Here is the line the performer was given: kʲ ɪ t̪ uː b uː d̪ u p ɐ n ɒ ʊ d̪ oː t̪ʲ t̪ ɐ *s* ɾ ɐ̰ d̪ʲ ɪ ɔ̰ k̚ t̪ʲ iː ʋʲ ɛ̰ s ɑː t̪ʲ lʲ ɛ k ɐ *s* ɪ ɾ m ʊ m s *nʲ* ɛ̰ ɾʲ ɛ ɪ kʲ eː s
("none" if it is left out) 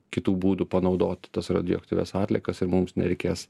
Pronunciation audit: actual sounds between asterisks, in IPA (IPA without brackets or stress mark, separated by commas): s, s, nʲ